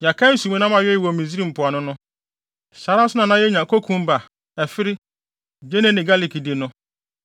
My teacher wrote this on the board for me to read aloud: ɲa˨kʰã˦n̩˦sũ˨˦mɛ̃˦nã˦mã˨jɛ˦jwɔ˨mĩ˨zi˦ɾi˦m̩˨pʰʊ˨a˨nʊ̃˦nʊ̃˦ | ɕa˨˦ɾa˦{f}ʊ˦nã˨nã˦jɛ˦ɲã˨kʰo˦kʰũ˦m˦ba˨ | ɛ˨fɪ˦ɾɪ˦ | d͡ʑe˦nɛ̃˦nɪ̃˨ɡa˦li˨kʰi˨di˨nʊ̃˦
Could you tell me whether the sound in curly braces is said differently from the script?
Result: yes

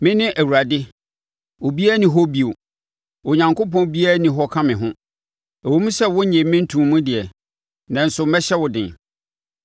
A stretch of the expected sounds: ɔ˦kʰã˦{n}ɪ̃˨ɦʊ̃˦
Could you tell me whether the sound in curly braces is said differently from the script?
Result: yes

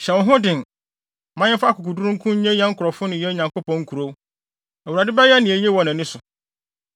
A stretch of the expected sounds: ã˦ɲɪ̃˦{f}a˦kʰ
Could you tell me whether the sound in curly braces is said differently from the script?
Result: no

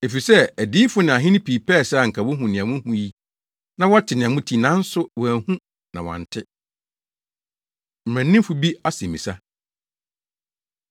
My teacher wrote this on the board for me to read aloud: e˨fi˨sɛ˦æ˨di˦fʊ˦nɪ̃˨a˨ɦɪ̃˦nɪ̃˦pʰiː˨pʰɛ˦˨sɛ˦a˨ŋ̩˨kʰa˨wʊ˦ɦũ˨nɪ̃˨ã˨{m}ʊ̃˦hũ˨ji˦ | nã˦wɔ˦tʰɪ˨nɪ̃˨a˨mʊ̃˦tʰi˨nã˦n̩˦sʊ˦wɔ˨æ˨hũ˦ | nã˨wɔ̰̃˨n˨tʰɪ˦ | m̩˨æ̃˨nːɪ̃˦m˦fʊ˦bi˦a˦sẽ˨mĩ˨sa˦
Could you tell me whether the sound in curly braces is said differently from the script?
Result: no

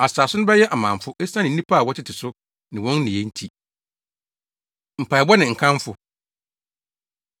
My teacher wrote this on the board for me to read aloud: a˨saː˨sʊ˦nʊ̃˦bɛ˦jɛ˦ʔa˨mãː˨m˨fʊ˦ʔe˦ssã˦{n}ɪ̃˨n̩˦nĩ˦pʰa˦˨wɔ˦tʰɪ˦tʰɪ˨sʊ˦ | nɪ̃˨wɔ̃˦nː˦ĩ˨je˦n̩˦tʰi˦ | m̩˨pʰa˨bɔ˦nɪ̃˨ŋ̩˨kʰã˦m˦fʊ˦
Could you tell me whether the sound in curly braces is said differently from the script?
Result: no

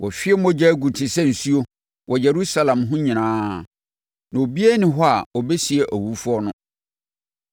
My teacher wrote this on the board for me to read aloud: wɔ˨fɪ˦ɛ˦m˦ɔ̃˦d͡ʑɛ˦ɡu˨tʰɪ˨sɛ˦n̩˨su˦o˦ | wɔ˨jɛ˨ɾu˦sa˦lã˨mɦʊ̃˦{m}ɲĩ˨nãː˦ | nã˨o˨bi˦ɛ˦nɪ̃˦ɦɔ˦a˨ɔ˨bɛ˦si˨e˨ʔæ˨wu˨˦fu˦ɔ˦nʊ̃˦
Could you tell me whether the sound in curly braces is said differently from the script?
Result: yes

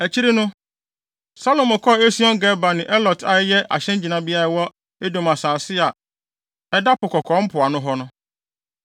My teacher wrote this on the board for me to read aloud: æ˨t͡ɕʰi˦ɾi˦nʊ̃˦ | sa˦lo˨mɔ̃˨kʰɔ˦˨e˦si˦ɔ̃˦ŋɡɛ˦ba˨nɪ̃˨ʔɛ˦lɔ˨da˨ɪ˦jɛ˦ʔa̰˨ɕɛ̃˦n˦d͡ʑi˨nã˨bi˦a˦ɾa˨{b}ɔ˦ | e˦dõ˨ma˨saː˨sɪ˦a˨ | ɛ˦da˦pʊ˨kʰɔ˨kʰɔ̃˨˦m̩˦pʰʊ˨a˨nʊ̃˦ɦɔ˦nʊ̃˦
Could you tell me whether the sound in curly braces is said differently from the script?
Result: yes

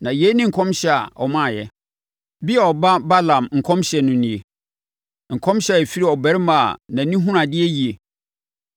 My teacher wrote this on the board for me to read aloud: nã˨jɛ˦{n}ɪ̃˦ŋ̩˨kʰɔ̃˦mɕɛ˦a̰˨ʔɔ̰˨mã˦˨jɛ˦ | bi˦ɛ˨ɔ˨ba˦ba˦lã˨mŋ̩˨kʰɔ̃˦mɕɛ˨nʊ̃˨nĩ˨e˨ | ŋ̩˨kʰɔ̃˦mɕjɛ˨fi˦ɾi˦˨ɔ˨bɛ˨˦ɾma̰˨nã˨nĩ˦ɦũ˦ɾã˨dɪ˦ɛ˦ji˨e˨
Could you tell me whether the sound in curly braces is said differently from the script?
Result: no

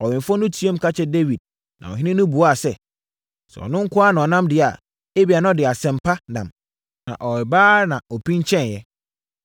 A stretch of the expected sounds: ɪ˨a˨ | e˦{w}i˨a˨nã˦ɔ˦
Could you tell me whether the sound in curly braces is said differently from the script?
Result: yes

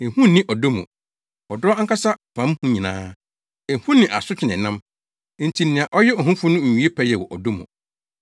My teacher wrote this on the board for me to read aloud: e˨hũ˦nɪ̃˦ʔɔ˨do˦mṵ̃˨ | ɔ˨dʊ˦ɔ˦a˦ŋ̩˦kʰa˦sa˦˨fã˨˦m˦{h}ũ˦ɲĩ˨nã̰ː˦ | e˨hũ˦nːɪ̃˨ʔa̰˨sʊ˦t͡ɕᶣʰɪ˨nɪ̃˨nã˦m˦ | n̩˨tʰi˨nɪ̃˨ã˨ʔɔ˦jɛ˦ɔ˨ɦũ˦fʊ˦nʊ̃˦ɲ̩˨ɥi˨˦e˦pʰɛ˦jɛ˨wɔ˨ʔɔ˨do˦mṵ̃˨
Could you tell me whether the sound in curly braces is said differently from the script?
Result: no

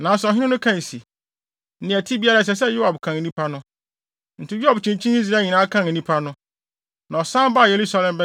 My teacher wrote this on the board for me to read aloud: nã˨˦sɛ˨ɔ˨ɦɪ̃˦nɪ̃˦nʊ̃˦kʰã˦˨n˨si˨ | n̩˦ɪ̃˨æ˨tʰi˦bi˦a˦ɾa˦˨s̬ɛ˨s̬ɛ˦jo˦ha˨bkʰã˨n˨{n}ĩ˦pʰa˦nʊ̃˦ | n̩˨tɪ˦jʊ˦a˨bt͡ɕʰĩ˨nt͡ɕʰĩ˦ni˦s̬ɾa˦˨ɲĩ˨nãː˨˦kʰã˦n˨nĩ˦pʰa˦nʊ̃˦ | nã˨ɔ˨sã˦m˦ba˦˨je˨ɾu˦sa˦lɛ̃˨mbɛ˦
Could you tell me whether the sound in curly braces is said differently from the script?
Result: no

